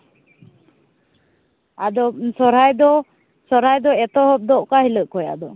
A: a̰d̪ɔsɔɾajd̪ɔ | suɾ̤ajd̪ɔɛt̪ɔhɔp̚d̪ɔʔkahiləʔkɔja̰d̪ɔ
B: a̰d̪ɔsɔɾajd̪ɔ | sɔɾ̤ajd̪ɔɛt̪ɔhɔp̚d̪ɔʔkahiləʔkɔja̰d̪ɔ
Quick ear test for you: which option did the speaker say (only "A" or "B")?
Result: B